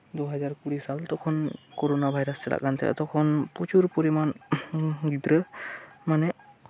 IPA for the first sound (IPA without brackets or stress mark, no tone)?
d̪